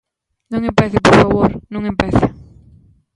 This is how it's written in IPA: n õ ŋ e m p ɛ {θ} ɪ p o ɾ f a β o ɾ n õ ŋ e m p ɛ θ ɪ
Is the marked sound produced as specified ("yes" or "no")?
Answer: yes